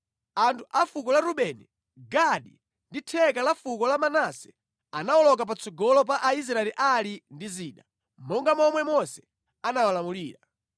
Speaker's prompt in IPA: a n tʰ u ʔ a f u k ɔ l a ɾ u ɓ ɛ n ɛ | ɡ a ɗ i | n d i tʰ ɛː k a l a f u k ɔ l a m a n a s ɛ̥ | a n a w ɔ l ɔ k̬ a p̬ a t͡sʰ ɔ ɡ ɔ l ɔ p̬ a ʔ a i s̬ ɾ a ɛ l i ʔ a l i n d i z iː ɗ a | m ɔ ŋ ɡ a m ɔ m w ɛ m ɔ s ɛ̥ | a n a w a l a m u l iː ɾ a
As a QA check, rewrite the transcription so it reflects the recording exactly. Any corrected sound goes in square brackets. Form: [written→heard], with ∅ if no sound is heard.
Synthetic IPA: a n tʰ u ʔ a f u k ɔ l a ɾ u ɓ ɛ n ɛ | ɡ a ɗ i | n d i tʰ [ɛː→ɛ] k a l a f u k ɔ l a m a n a s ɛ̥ | a n a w ɔ l ɔ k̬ a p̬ a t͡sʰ ɔ ɡ ɔ l ɔ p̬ a ʔ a i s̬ ɾ a ɛ l i ʔ a l i n d i z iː ɗ a | m ɔ ŋ ɡ a m ɔ m w ɛ m ɔ s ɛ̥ | a n a w a l a m u l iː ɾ a